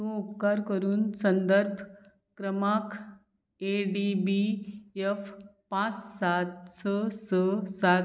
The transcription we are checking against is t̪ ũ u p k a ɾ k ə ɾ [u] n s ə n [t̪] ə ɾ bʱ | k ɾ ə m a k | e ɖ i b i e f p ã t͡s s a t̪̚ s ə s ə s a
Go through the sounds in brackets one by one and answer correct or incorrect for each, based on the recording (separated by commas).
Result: incorrect, incorrect